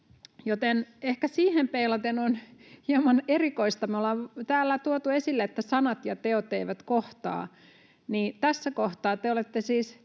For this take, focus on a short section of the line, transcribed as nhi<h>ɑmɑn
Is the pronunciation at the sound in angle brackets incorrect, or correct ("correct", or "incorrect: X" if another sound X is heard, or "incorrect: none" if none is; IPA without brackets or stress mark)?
incorrect: none